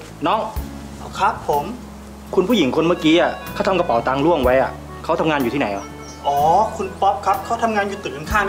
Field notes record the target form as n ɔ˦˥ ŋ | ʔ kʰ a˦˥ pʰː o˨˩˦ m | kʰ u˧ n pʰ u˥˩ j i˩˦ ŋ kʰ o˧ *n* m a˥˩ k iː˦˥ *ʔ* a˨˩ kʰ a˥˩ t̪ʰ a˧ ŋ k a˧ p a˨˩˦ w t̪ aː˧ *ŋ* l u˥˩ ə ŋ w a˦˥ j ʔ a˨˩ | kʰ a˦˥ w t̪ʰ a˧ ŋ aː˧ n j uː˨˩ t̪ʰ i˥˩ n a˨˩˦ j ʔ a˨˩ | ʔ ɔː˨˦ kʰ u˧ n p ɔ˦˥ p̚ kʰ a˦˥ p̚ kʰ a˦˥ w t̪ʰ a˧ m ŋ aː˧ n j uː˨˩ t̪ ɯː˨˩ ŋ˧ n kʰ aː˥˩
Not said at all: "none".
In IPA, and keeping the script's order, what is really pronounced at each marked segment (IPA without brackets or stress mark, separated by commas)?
n, ʔ, ŋ